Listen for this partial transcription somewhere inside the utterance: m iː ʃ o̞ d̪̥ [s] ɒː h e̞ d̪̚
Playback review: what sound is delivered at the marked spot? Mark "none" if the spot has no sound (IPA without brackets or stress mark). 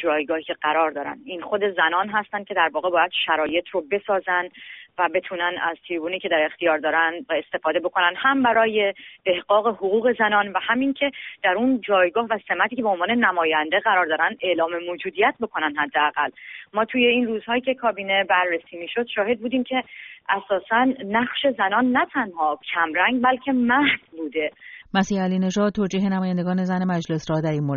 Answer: ʃ